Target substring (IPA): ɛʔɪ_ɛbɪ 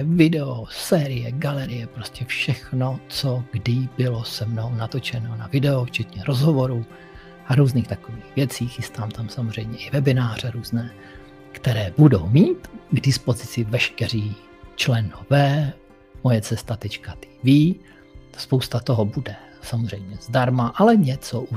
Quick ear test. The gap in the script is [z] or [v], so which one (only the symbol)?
v